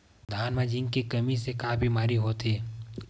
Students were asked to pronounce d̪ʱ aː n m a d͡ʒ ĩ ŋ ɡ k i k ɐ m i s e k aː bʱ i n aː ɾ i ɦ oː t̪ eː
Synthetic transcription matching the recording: d̪ʱ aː n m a d͡ʒ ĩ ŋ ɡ k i k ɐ m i s e k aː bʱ i m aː ɾ i ɦ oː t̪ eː